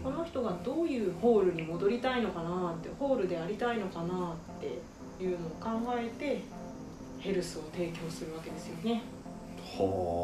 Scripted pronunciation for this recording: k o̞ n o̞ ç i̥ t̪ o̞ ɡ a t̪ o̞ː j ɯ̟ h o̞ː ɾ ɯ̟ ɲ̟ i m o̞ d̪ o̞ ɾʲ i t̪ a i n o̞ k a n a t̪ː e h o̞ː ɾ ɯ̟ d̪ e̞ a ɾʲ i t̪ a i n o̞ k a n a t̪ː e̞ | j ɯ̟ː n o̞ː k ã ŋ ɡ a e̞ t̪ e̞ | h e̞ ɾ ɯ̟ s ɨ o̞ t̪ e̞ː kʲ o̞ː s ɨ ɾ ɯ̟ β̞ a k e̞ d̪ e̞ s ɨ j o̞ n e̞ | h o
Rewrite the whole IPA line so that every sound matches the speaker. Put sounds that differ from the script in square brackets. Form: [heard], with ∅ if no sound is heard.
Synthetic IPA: k o̞ n o̞ ç i̥ t̪ o̞ ɡ a [d̪] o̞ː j [ɯ̟ː] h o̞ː ɾ ɯ̟ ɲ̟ i m o̞ d̪ o̞ ɾʲ i t̪ a i n o̞ k a n a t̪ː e h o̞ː ɾ ɯ̟ d̪ e̞ a ɾʲ i t̪ a i n o̞ k a n a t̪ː e̞ | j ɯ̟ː n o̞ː k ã ŋ ɡ a e̞ t̪ e̞ | h e̞ ɾ ɯ̟ s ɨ o̞ t̪ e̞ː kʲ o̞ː s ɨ ɾ ɯ̟ β̞ a k e̞ d̪ e̞ s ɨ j o̞ n e̞ | h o